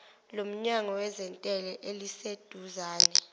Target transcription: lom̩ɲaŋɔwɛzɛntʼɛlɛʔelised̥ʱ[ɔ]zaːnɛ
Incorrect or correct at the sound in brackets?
incorrect: u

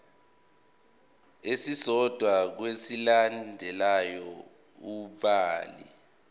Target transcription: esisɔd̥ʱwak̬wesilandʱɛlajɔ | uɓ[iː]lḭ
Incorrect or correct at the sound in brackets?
incorrect: aː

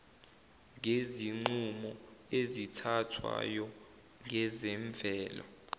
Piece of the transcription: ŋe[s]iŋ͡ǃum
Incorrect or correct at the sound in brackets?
incorrect: z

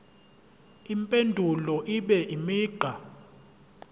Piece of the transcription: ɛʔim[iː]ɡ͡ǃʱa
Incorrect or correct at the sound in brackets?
correct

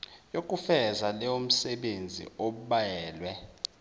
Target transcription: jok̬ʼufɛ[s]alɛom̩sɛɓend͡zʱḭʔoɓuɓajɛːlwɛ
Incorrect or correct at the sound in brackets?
incorrect: z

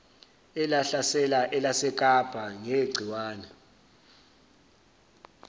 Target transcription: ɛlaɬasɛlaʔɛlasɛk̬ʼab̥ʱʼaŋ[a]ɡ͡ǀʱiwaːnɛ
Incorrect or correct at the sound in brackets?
incorrect: e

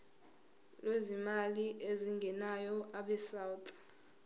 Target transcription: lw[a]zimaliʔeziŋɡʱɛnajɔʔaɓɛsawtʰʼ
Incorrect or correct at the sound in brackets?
incorrect: e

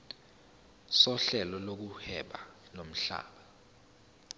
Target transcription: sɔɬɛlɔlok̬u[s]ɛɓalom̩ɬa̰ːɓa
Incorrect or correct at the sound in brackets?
incorrect: h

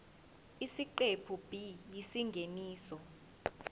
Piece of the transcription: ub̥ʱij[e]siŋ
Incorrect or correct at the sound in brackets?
incorrect: i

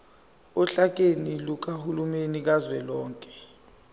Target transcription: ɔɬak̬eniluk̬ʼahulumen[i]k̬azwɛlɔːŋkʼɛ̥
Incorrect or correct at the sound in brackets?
correct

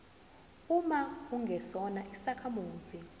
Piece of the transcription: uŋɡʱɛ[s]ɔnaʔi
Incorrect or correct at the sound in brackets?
correct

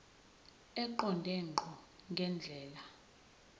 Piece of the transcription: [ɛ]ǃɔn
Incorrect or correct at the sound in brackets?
correct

